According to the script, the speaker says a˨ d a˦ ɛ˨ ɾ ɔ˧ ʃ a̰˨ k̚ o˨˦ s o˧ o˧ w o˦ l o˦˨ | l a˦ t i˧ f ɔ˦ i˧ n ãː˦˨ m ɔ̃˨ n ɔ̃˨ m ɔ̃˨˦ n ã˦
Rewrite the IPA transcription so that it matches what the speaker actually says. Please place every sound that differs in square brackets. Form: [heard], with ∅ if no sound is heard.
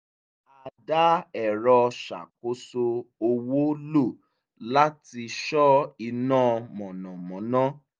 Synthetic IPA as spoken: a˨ d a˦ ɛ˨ ɾ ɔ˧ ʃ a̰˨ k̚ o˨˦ s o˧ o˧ w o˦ l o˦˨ | l a˦ t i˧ [ʃ] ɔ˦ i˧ n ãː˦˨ m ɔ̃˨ n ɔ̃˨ m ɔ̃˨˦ n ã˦